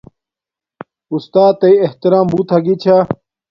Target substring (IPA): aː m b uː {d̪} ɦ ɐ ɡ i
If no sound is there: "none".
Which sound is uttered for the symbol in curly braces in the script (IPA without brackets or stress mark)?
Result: t̪